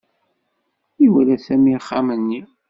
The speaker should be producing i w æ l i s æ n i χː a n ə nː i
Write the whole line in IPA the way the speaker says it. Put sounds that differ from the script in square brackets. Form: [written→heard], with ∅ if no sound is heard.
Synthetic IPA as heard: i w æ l [i→æ] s æ [n→m] i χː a [n→m] ə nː i

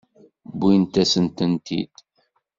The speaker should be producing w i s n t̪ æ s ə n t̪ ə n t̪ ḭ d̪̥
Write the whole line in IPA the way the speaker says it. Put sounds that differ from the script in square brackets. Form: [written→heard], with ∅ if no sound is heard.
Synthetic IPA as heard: [w→b] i [s→∅] n t̪ æ s ə n t̪ ə n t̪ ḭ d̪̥

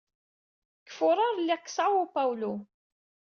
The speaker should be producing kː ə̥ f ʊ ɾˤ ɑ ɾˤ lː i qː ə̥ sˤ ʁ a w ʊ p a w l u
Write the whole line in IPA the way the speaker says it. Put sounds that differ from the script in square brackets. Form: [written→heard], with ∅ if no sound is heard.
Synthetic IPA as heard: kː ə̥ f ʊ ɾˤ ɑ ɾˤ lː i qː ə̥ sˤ [ʁ→ʕ] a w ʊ p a w l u

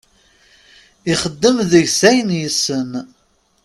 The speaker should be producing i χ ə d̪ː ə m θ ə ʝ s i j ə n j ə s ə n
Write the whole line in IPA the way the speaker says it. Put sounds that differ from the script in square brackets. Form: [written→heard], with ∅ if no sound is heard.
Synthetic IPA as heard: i χ ə d̪ː ə m [θ→ð] ə ʝ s [i→æ] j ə n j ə s ə n

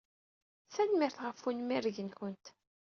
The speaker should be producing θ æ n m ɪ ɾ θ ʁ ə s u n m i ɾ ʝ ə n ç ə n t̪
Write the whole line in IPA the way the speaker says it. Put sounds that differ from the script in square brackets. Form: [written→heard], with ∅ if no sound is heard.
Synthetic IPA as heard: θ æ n m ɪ ɾ θ ʁ ə [s→f] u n m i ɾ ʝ ə n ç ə n t̪

